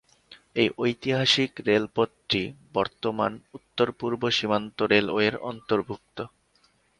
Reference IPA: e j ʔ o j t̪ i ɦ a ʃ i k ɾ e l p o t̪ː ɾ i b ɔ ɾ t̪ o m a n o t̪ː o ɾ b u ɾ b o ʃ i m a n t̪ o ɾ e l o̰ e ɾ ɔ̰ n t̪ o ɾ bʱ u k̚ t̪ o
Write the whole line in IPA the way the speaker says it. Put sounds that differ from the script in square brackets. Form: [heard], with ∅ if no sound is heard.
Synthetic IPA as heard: e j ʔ o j t̪ i ɦ a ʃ i k ɾ e l p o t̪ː ɾ i b ɔ ɾ t̪ o m a n [u] t̪ː o ɾ [p] u ɾ b o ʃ i m a n t̪ o ɾ e l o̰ e ɾ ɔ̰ n t̪ o ɾ bʱ u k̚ t̪ o